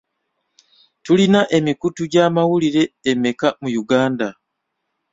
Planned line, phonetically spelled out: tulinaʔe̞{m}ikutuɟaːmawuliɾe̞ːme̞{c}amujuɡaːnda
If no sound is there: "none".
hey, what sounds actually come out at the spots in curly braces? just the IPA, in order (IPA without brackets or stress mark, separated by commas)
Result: m, k